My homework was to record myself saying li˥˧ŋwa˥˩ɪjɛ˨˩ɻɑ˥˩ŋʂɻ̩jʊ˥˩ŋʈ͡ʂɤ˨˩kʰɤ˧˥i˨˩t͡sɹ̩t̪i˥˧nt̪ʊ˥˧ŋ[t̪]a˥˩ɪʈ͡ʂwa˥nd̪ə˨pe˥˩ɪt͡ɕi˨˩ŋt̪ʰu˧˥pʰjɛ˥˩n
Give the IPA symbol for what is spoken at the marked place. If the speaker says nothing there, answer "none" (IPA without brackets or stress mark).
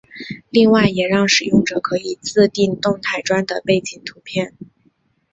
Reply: t̪ʰ